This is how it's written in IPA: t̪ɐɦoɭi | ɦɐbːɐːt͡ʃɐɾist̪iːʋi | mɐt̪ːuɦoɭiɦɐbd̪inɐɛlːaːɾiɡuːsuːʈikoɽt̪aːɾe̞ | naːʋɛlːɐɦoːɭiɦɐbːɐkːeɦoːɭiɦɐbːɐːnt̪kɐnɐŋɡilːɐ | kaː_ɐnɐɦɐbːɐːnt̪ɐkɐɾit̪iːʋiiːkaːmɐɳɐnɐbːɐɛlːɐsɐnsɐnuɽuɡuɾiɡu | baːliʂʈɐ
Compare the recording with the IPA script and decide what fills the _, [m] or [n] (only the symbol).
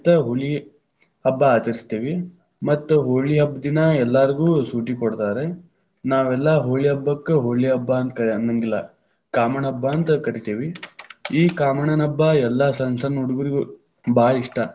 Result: m